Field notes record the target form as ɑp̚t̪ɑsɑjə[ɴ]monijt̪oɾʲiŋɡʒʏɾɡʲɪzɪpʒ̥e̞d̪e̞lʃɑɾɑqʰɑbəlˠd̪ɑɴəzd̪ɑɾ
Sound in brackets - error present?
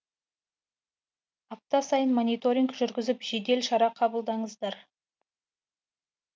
yes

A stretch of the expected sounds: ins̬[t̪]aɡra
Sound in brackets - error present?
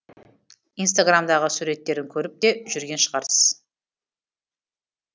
no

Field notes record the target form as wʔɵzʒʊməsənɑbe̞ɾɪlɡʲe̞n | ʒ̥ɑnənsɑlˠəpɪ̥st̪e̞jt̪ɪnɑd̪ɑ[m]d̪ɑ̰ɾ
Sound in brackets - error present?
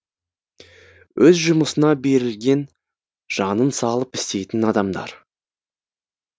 no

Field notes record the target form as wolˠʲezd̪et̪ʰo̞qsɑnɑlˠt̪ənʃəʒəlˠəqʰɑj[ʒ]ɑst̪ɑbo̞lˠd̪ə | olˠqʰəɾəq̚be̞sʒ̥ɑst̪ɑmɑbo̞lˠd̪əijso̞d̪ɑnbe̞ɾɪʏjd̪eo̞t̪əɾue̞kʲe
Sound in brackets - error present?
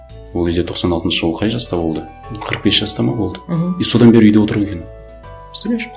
no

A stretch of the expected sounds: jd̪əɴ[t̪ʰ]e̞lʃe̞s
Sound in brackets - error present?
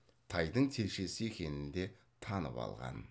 no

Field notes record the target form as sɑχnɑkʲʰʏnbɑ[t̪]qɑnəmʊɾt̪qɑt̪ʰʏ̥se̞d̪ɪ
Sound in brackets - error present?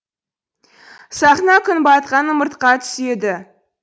no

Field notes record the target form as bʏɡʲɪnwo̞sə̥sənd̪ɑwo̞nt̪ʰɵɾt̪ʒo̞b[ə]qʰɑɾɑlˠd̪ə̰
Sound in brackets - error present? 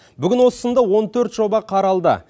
yes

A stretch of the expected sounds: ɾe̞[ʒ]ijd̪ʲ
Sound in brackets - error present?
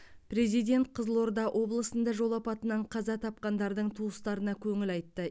yes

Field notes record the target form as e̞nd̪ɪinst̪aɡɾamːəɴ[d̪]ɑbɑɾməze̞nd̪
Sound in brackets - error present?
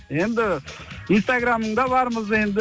no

